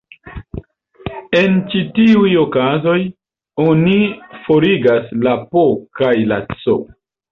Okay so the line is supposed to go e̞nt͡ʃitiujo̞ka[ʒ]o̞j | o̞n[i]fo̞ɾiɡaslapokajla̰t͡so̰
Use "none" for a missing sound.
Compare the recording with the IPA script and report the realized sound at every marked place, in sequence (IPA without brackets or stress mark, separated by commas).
z, i